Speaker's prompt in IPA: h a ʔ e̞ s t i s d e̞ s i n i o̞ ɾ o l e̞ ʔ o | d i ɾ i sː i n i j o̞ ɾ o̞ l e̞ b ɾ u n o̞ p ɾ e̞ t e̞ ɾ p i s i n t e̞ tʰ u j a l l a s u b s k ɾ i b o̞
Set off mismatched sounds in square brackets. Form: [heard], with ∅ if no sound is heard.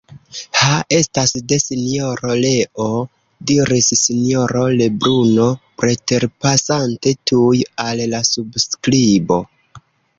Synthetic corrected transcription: h a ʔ e̞ s t [a] s d e̞ s i n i o̞ ɾ o l e̞ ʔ o | d i ɾ i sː i n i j o̞ ɾ o̞ l e̞ b ɾ u n o̞ p ɾ e̞ t e̞ ɾ p [a] s [a] n t e̞ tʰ u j a l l a s u b s k ɾ i b o̞